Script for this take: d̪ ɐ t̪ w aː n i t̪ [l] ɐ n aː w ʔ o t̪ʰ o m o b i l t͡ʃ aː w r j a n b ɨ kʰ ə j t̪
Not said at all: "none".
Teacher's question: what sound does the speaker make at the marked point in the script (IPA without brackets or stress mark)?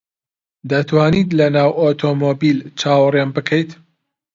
l